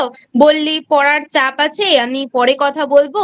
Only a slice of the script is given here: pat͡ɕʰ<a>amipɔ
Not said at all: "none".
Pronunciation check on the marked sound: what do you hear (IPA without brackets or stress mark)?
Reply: e